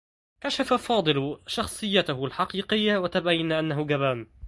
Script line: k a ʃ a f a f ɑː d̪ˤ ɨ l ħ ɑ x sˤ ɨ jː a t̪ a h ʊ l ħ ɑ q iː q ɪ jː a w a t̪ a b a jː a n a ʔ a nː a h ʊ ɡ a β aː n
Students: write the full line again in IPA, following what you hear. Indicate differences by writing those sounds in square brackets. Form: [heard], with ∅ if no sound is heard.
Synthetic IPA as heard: k a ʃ a f a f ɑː d̪ˤ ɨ l [ʃ] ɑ x sˤ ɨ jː a t̪ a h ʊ l ħ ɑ q iː q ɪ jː a w a t̪ a b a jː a n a ʔ a nː a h ʊ ɡ a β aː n